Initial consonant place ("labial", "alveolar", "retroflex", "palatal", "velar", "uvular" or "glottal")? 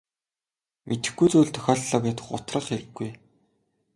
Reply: labial